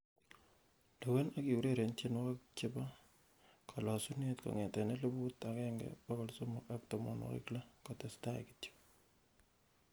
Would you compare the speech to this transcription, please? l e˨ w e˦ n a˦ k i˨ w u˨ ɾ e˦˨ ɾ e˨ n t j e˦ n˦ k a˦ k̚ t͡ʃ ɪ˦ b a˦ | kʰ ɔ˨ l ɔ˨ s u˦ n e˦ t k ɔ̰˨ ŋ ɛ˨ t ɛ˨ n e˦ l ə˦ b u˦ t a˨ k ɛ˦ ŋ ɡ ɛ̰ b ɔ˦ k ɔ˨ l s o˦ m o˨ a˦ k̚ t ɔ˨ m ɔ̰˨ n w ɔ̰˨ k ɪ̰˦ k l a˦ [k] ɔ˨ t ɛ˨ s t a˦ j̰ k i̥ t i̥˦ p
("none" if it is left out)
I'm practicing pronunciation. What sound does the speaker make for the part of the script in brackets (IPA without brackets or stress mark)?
k